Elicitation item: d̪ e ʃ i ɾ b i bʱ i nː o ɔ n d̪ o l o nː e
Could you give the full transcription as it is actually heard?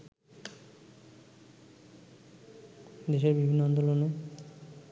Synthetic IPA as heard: d̪ e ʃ e ɾ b i bʱ i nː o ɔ n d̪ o l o n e